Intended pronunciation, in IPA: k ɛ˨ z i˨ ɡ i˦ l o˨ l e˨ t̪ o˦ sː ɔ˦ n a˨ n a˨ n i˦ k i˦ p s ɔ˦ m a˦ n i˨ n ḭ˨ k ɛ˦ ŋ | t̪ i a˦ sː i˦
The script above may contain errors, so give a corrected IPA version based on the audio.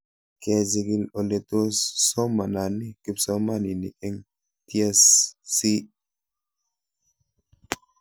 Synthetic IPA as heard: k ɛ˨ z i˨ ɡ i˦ l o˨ l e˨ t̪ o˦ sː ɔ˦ m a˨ n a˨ n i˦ k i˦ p s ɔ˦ m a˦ n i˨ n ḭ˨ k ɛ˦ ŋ | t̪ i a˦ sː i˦

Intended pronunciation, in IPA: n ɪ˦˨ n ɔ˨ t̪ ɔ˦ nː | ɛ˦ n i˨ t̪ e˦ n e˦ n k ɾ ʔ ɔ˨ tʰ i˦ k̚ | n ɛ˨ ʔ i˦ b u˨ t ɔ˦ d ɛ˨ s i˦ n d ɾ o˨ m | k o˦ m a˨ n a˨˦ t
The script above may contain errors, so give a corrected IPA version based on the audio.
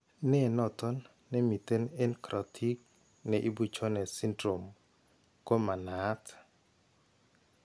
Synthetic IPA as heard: n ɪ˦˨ n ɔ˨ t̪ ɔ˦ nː | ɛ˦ m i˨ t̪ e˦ n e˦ n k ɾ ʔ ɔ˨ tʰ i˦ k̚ | n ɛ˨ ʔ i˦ b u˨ t͡ʃ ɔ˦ n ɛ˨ s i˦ n d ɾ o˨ m | k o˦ m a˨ n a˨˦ t

